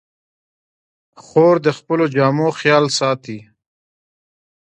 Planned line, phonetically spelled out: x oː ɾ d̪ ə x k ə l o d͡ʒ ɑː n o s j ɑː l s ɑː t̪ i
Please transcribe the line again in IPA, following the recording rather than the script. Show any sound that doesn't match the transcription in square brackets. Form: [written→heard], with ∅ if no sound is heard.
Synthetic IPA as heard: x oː ɾ d̪ ə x [k→p] ə l o d͡ʒ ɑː [n→m] o [s→x] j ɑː l s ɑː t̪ i